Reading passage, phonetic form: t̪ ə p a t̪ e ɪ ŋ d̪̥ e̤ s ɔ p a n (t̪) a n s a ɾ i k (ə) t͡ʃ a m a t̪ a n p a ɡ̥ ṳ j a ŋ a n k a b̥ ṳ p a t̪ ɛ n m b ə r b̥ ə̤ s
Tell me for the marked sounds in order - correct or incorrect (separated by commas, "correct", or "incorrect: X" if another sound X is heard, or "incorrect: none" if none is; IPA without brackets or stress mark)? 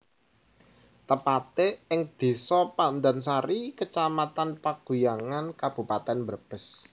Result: incorrect: d̪, correct